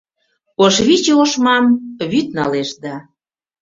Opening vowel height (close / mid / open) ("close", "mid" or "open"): mid